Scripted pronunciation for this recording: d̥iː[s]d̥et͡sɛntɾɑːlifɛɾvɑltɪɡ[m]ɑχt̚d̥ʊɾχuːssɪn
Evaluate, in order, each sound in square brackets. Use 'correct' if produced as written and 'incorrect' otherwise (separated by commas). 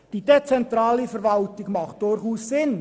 incorrect, correct